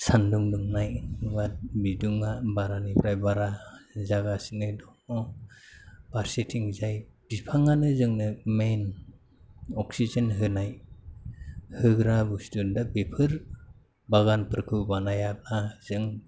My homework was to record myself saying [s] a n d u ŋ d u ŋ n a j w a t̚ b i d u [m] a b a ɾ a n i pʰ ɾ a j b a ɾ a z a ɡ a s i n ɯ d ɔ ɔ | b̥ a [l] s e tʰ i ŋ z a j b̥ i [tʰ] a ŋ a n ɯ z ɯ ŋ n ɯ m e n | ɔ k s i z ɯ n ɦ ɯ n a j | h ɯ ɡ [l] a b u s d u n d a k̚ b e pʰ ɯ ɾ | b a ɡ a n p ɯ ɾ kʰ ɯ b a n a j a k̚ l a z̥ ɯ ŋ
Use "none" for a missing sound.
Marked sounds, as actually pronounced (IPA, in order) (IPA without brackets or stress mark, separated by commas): s, ŋ, ɾ, pʰ, ɾ